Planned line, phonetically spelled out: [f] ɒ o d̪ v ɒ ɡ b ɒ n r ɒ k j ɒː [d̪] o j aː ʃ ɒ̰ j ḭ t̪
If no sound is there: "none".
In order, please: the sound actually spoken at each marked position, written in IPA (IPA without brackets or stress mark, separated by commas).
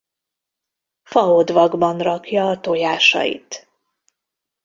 f, t̪